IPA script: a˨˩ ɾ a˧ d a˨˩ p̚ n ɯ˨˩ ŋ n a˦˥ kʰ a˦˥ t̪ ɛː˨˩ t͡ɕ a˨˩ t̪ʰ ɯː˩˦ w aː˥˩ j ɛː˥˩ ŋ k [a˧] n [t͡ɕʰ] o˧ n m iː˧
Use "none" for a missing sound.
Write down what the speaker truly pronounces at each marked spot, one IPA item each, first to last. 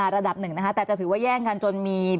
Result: a˧, t͡ɕ

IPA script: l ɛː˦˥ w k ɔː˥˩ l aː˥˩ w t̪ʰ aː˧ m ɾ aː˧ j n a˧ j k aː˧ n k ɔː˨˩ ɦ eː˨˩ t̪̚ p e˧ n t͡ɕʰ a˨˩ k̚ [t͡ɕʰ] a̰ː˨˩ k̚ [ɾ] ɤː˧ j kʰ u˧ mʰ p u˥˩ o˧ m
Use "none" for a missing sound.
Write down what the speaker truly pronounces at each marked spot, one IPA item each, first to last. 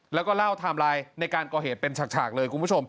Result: t͡ɕʰ, l

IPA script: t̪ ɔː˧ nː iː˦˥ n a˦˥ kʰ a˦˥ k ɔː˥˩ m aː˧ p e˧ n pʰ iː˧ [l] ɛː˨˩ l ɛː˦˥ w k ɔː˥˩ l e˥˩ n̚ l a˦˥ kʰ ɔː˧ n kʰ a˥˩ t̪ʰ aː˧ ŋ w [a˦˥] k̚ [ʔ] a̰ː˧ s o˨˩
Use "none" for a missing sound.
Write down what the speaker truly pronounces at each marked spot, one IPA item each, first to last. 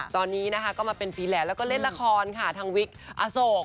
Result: l, i˦˥, ʔ

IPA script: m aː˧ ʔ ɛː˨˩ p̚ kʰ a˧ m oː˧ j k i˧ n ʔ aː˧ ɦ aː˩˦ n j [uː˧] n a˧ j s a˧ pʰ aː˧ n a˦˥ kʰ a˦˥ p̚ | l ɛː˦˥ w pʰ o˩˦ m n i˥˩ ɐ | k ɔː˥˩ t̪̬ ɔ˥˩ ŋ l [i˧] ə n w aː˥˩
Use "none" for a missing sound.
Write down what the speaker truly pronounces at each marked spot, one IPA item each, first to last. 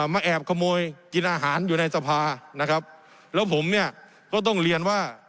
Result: uː˨˩, i˧

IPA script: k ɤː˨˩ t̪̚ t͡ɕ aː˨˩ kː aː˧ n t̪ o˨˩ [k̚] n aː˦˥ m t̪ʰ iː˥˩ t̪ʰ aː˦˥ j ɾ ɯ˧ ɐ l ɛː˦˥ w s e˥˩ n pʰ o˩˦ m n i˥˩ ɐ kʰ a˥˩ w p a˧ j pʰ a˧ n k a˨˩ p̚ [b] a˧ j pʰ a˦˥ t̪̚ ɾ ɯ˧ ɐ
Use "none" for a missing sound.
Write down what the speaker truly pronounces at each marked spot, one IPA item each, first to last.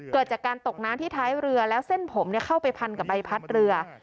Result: k̚, b

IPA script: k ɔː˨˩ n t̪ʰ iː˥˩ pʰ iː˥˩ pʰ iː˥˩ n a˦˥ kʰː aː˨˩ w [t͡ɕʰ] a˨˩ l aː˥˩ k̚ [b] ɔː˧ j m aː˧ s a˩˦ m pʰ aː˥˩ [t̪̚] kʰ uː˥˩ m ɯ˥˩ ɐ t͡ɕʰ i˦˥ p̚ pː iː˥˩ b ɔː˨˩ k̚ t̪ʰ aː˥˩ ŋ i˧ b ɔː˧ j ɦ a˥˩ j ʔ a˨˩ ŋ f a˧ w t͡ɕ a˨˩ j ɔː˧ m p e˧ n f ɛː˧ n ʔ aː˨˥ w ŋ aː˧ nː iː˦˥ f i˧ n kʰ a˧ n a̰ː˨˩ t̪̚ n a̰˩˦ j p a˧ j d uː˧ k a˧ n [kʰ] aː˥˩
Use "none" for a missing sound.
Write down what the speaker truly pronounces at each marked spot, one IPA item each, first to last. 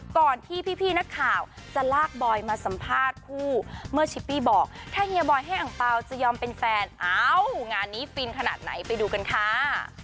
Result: t͡ɕ, b, t̪̚, kʰ

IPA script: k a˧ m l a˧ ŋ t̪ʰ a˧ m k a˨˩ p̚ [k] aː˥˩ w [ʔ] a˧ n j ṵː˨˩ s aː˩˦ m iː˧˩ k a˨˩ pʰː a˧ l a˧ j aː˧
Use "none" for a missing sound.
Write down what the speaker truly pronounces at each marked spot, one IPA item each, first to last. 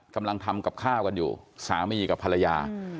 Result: kʰ, k

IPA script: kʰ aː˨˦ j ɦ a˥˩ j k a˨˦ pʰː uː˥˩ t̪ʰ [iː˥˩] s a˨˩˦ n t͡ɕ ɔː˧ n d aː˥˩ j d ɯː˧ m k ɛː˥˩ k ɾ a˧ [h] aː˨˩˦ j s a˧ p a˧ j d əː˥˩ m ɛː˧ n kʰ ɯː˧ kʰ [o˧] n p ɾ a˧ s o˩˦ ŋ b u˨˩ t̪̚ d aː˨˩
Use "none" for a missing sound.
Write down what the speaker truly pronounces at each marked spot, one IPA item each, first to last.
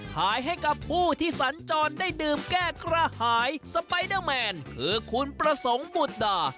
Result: iː˥˩, h, u˧

